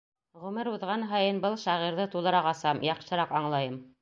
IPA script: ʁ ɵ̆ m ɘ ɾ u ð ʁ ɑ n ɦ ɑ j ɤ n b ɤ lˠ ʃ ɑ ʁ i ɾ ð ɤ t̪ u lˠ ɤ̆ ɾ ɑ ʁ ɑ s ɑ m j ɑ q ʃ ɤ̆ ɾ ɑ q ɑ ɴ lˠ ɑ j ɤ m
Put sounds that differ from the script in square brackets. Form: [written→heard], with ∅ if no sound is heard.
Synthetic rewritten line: ʁ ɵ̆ m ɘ ɾ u ð ʁ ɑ n ɦ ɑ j ɤ n b ɤ lˠ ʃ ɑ ʁ i ɾ ð ɤ t̪ u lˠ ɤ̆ ɾ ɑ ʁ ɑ s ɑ m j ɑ q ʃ ɤ̆ ɾ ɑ q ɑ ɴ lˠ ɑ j ɤ m

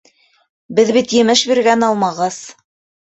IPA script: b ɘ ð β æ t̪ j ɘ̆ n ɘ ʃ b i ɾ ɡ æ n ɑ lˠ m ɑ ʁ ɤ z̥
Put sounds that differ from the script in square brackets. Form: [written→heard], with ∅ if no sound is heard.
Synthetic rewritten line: b ɘ ð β [æ→i] t̪ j ɘ̆ [n→m] ɘ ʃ b i ɾ ɡ æ n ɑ lˠ m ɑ ʁ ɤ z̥

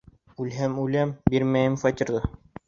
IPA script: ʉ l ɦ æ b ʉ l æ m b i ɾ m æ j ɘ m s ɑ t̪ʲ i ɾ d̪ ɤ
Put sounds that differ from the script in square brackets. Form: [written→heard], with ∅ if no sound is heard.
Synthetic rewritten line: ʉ l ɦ æ [b→m] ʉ l æ m b i ɾ m æ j ɘ m [s→f] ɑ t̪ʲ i ɾ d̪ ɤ

